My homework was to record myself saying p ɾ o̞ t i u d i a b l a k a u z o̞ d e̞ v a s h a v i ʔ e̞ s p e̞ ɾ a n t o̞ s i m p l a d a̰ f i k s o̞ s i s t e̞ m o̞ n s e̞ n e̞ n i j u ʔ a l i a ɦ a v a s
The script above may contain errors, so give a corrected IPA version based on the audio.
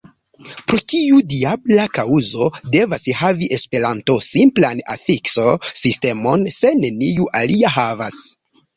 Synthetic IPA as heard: p ɾ o̞ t i u d i a b l a k a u z o̞ d e̞ v a s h a v i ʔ e̞ s p e̞ ɾ a n t o̞ s i m p l a n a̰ f i k s o̞ s i s t e̞ m o̞ n s e̞ n e̞ n i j u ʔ a l i a ɦ a v a s